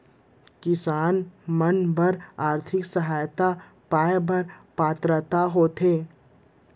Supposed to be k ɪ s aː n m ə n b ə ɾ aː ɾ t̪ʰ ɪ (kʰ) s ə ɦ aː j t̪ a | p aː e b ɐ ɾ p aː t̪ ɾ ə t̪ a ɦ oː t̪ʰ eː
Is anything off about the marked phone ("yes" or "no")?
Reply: yes